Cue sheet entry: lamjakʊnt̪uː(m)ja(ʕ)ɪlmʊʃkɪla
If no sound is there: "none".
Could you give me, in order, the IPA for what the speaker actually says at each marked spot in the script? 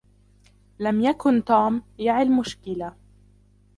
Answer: m, ʕ

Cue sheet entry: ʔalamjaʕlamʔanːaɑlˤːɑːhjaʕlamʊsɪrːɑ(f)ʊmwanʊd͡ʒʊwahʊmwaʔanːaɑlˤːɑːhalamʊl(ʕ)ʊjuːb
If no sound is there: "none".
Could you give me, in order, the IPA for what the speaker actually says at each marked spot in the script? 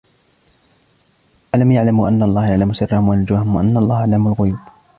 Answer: h, ɣ

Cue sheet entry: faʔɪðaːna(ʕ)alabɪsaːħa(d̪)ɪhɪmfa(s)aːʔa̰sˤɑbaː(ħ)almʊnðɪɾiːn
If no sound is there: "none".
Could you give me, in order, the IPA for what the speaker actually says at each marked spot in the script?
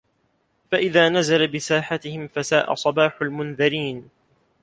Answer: z, t̪, s, ħ

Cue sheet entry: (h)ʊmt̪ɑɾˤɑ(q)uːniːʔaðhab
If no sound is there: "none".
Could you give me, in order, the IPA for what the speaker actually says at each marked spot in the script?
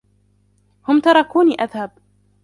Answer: h, k

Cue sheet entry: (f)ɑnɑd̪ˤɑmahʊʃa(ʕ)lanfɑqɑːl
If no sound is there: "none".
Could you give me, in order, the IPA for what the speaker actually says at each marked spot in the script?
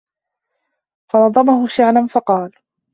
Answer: f, ʕ

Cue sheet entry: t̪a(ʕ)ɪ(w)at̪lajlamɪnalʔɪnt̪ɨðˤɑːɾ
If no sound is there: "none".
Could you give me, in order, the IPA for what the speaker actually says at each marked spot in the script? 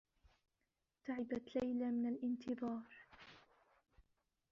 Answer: ʕ, b

